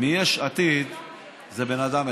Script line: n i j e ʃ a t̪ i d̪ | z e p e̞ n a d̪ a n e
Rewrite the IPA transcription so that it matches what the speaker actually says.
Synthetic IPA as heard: m i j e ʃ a t̪ i d̪ | z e b e̞ n a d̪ a m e